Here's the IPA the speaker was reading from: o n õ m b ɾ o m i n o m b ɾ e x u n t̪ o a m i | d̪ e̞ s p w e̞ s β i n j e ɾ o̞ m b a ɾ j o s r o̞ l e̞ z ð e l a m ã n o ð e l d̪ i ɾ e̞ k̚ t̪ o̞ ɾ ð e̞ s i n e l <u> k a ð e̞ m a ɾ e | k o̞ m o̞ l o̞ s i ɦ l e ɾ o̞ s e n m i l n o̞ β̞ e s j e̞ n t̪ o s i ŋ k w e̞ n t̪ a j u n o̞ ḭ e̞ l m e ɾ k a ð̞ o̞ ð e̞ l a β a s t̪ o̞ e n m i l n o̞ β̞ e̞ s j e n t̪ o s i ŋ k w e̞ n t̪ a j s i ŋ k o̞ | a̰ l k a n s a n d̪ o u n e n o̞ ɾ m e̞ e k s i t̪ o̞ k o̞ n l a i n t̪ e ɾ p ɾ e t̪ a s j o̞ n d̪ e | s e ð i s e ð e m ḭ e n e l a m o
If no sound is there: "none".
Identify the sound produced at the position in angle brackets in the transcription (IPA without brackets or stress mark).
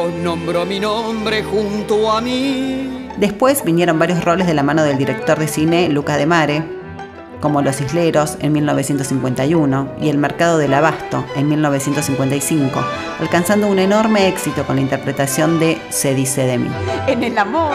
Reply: u